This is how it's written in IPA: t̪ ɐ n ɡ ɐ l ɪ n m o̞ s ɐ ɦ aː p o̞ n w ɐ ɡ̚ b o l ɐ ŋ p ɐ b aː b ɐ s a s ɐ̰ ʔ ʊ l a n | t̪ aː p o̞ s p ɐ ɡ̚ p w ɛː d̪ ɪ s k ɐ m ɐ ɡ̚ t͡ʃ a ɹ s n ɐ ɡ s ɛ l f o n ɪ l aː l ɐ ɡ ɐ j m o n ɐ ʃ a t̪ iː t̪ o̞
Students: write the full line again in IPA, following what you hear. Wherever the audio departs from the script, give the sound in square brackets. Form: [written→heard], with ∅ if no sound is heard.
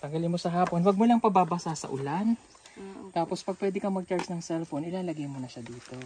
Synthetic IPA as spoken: t̪ ɐ [n→ŋ] ɡ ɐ l ɪ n m o̞ s ɐ ɦ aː p o̞ n w ɐ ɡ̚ [b→m] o l ɐ ŋ p ɐ b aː b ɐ s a s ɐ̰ ʔ ʊ l a n | t̪ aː p o̞ s p ɐ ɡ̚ p w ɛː d̪ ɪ [s→∅] k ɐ m ɐ ɡ̚ t͡ʃ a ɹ s n ɐ [ɡ→ŋ] s ɛ l f o n ɪ l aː l ɐ ɡ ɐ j m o n ɐ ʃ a [t̪→d̪] iː t̪ o̞